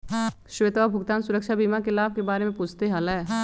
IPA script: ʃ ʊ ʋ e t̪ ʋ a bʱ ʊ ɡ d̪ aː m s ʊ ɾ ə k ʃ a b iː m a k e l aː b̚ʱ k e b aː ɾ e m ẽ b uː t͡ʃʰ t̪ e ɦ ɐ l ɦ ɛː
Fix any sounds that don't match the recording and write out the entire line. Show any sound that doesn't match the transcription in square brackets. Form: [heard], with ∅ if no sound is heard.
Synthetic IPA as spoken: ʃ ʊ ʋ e t̪ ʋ a bʱ ʊ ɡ [t̪] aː [n] s ʊ ɾ ə k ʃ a b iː m a k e l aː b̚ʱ k e b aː ɾ e m ẽ [p] uː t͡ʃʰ t̪ e ɦ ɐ l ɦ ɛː